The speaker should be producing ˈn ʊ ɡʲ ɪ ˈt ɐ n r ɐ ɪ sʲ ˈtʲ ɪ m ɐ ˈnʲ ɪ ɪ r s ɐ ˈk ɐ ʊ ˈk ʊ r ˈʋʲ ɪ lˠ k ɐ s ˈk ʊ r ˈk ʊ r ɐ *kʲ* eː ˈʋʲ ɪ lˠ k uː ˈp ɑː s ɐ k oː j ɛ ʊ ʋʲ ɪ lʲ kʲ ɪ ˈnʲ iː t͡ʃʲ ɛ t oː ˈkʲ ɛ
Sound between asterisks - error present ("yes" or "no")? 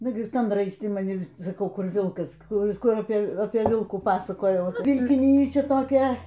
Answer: yes